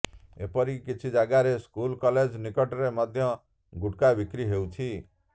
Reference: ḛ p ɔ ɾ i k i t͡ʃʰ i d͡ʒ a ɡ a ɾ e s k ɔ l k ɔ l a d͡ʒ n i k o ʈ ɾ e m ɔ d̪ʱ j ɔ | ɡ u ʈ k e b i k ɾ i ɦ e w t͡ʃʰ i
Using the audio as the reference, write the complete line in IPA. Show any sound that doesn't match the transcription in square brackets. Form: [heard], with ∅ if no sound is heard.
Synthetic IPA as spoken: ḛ p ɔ ɾ i k i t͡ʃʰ i d͡ʒ a ɡ a ɾ e s k [u] l k ɔ l [e] d͡ʒ n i k [ɔ] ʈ ɾ e m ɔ d̪ʱ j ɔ | ɡ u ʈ k [a] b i k ɾ i ɦ e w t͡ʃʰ i